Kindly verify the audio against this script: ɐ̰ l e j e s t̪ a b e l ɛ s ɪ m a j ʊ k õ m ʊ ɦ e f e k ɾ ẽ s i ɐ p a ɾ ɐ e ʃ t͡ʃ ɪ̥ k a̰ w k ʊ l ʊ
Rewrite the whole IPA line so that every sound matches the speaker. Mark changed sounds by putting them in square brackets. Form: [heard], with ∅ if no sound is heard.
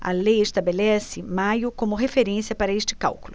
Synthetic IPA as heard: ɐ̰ l e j e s t̪ a b e l ɛ s ɪ m a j ʊ k õ m ʊ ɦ e f e [∅] ɾ ẽ s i ɐ p a ɾ ɐ e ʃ t͡ʃ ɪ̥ k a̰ w k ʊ l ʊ

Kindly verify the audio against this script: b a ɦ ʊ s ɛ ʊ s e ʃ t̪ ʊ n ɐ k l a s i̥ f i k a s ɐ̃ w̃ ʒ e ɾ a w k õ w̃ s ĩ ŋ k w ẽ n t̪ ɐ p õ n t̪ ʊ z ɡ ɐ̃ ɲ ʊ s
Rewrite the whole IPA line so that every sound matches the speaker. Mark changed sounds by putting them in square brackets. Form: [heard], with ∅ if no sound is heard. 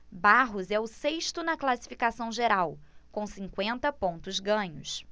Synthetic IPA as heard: b a ɦ ʊ [z] ɛ ʊ s e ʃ t̪ ʊ n ɐ k l a s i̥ f i k a s ɐ̃ w̃ ʒ e ɾ a w k õ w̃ s ĩ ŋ k w ẽ n t̪ ɐ p õ n t̪ ʊ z ɡ ɐ̃ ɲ ʊ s

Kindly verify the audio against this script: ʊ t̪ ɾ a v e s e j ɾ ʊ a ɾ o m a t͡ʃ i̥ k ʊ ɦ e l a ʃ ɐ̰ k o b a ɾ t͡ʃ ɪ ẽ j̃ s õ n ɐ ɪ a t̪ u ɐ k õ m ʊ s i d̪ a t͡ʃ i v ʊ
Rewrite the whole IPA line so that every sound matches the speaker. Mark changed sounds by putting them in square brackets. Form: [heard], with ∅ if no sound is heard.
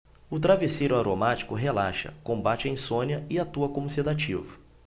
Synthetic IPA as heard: ʊ t̪ ɾ a v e s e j ɾ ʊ a ɾ o m a t͡ʃ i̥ k ʊ ɦ e l a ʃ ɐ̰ k [õ] b a [∅] t͡ʃ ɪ ẽ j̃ s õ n ɐ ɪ a t̪ u ɐ k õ m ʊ s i d̪ a t͡ʃ i v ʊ

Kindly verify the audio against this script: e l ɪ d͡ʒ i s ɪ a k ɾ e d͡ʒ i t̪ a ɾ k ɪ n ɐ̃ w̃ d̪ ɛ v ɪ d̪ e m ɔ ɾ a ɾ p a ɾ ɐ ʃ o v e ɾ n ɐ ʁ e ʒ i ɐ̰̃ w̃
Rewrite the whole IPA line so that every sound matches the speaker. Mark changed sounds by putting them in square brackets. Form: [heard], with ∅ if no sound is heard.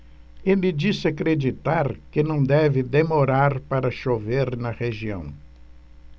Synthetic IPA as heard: e l ɪ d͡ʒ i s ɪ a k ɾ e d͡ʒ i t̪ a ɾ k ɪ n ɐ̃ w̃ d̪ ɛ v ɪ d̪ e m [o] ɾ a ɾ p a ɾ ɐ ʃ o v e ɾ n ɐ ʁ e ʒ i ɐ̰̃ w̃

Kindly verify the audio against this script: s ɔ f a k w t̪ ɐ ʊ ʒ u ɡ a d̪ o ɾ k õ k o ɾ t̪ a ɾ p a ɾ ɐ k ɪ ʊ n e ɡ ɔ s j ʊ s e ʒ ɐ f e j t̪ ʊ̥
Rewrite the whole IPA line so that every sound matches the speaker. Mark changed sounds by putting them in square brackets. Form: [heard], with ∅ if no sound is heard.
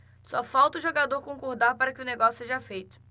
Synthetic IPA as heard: s ɔ f a [∅] w t̪ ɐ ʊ ʒ [o] ɡ a d̪ o ɾ k õ k o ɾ [d̪] a ɾ p a ɾ ɐ k ɪ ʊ n e ɡ ɔ s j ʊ s e ʒ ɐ f e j t̪ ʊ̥

